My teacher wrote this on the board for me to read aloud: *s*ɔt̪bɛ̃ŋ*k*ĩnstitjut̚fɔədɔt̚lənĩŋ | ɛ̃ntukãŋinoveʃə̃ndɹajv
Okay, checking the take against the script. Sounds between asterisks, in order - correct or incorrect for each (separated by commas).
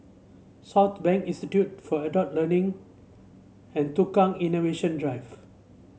correct, correct